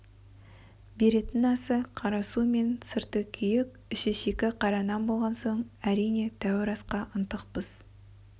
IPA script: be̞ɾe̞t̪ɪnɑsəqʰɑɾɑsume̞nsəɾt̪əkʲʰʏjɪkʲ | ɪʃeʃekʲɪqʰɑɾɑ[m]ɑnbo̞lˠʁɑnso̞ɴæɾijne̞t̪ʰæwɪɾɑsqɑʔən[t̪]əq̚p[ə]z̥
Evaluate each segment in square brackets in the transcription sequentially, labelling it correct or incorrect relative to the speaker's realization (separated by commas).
incorrect, correct, correct